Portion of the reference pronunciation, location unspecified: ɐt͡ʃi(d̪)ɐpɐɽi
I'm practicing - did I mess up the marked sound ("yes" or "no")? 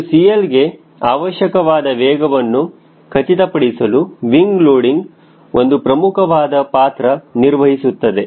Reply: yes